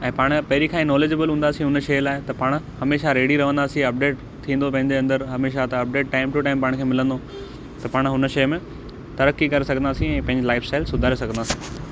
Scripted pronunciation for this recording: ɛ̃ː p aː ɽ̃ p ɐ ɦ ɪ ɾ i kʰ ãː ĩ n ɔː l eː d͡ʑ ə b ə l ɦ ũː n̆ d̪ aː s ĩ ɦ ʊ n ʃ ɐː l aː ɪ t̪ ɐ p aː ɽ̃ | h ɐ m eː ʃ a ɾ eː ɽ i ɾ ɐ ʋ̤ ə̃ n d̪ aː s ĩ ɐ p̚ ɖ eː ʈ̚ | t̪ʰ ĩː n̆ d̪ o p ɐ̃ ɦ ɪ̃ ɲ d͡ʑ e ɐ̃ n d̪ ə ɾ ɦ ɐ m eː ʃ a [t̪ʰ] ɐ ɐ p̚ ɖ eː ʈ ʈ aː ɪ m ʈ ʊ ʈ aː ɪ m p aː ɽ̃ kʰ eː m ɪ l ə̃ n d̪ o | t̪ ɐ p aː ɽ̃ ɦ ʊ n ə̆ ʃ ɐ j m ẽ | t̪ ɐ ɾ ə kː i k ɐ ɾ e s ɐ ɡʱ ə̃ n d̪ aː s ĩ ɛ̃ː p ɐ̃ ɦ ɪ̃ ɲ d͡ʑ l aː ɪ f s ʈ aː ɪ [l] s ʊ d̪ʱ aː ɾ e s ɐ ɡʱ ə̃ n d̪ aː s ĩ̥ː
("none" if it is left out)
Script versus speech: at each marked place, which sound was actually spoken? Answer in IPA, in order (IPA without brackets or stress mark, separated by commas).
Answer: t̪, l